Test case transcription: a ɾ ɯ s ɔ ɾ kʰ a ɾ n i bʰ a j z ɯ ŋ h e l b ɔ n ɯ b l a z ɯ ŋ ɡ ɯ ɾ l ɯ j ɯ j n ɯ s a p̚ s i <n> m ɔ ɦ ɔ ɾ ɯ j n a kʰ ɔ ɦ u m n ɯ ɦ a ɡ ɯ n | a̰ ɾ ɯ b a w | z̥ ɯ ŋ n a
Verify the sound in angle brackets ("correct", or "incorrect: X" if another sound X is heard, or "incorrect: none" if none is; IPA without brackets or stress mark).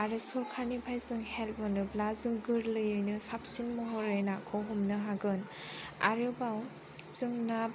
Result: correct